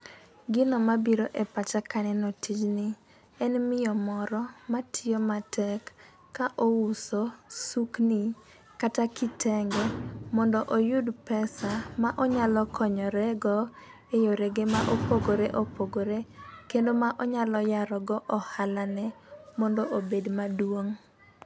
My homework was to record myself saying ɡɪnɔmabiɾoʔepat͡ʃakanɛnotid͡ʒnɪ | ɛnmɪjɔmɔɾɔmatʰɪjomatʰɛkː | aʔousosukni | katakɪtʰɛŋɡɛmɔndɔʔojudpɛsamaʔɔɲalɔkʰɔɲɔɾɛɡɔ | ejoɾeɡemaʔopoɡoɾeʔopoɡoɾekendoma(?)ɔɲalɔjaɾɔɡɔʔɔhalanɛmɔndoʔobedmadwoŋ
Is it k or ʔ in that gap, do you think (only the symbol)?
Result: ʔ